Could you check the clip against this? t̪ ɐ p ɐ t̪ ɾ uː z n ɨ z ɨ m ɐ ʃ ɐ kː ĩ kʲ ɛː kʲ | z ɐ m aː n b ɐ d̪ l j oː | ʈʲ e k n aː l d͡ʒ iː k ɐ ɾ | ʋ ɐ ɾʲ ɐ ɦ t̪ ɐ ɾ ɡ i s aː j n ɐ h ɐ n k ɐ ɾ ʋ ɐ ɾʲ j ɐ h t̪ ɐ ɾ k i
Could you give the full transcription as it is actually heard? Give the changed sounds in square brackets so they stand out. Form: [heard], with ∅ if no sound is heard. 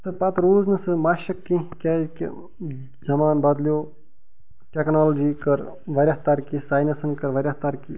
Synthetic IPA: t̪ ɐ p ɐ t̪ ɾ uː z n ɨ [s] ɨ m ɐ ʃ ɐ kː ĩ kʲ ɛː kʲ | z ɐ m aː n b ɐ d̪ l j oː | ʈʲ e k n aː l d͡ʒ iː k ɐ ɾ | ʋ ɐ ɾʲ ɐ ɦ t̪ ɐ ɾ [k] i s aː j n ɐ [s] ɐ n k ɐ ɾ ʋ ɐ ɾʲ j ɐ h t̪ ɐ ɾ k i